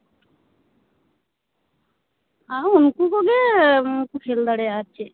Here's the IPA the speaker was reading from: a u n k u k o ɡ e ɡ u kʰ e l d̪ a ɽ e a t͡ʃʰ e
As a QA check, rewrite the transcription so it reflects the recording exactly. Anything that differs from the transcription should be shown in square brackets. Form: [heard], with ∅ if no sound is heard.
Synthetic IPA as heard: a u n k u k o ɡ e [k] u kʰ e l d̪ a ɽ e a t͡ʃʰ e